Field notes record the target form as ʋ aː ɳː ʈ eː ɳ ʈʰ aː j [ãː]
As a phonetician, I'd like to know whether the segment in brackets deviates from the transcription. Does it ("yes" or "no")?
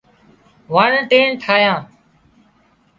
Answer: no